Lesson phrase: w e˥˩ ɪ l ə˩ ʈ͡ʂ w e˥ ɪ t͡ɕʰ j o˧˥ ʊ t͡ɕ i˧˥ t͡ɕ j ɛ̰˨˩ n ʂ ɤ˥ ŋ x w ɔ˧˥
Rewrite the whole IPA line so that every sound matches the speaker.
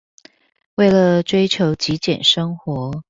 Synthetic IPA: w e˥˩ ɪ l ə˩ ʈ͡ʂ w e˥ ɪ t͡ɕʰ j o˧˥ ʊ t͡ɕ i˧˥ t͡ɕ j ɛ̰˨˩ n ʂ ɤ˥ ŋ x w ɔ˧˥